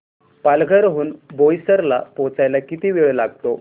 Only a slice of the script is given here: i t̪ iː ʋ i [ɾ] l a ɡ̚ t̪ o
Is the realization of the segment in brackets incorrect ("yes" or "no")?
yes